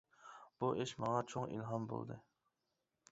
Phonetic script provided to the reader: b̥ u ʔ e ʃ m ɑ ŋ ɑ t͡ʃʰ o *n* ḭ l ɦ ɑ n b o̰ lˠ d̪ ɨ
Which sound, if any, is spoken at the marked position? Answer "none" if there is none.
ŋ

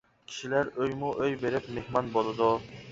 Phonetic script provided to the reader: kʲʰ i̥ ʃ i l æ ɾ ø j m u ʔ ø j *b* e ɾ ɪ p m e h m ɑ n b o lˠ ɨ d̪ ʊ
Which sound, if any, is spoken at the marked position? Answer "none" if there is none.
b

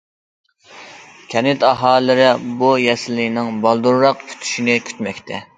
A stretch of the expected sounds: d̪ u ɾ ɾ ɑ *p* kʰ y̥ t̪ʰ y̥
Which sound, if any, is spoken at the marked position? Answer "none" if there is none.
q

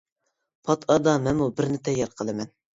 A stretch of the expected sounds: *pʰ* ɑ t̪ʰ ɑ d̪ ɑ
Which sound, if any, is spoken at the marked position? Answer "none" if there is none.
pʰ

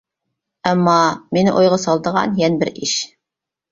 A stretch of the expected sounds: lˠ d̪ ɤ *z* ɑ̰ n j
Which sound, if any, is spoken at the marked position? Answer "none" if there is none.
ʁ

